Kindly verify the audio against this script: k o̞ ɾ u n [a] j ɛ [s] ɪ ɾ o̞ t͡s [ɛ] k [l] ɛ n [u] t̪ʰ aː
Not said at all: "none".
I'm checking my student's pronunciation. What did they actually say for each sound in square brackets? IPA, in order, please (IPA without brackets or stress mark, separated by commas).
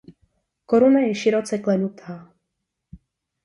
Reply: a, ʃ, ɛ, l, u